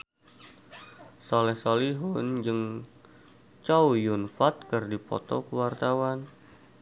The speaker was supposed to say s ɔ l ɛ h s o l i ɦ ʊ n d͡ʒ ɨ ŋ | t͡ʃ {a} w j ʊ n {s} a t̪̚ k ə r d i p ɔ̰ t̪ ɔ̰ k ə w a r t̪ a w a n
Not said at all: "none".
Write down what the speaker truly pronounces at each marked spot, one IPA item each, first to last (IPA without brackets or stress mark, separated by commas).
a, f